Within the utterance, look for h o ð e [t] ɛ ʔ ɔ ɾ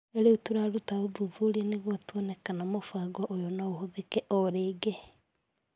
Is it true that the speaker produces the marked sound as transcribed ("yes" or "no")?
no